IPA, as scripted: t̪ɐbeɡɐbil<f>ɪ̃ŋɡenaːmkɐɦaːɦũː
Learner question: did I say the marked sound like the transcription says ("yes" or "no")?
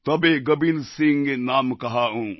no